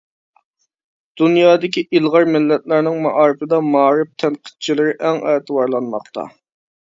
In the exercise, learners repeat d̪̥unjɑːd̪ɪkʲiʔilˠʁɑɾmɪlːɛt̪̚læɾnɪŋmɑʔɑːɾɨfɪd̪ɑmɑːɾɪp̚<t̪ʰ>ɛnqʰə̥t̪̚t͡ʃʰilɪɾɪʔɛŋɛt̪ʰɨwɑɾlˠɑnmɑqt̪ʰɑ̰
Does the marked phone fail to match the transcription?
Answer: no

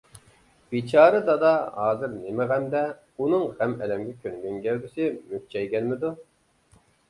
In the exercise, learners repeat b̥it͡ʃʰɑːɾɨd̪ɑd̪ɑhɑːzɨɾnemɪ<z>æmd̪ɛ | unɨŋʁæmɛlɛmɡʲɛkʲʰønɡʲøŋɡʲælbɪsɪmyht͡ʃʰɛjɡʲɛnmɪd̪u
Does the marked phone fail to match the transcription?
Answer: yes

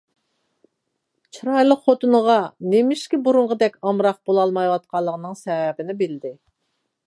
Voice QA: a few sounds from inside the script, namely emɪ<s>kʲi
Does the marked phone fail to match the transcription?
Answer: yes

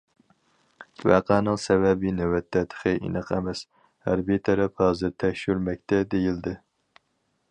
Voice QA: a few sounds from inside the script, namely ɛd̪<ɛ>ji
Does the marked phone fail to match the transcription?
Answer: yes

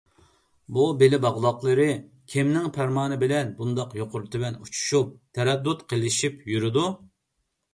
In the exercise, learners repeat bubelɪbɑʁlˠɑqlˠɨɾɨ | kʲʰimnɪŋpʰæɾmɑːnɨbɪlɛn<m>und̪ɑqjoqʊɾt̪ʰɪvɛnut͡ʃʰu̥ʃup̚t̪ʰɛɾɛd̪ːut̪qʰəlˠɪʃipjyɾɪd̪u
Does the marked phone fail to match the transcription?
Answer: yes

